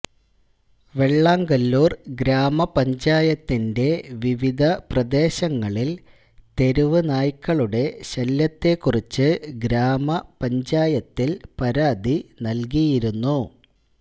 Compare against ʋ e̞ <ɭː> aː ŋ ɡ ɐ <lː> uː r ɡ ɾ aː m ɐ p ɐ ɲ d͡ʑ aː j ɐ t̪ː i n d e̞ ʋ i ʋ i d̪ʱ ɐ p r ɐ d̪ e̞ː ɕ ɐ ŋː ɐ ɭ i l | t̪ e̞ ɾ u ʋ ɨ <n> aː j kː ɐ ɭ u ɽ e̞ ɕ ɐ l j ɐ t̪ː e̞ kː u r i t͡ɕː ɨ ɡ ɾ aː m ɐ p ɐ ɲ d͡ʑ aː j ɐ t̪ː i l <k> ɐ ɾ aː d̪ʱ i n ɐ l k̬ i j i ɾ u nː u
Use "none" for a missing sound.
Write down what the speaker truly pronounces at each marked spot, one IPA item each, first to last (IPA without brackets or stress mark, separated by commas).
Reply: ɭː, lː, n, p